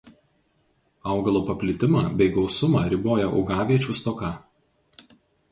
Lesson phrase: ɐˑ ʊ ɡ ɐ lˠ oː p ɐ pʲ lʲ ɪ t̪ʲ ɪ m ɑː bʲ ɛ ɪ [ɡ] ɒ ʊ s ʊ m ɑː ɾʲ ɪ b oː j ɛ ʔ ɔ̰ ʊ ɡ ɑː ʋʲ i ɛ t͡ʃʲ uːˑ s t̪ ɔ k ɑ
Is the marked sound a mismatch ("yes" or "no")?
no